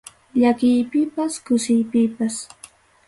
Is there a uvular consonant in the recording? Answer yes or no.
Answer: no